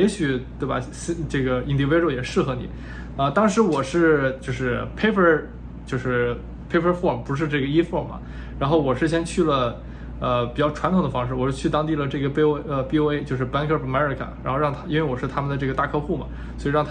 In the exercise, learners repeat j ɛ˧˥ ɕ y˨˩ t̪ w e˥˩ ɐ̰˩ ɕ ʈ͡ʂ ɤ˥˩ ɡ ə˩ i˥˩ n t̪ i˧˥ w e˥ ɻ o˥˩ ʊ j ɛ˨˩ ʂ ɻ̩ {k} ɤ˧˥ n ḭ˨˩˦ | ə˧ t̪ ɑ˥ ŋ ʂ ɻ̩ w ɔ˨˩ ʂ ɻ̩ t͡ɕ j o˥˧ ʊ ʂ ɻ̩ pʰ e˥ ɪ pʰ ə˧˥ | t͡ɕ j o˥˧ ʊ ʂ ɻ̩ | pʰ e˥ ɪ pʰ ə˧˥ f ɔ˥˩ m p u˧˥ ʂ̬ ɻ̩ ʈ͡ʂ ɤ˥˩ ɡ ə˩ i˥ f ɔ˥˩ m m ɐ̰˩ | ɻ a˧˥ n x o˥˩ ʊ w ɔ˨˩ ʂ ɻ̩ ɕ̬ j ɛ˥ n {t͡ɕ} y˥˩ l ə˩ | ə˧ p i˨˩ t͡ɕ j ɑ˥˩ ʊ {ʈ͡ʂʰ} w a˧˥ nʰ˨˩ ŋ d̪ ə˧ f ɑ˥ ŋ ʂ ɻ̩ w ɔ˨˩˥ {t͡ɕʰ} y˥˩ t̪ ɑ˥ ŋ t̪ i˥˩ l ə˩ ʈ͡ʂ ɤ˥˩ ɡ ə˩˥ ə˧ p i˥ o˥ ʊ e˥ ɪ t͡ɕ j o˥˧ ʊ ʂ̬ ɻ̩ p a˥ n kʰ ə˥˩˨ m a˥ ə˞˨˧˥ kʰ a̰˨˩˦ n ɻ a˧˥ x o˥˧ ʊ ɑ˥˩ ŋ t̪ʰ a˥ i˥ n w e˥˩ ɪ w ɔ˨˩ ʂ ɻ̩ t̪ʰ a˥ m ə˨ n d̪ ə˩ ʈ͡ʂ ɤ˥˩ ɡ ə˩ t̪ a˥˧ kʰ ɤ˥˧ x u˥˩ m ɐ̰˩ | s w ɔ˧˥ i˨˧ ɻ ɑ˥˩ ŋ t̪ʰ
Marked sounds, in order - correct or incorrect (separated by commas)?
incorrect, incorrect, correct, correct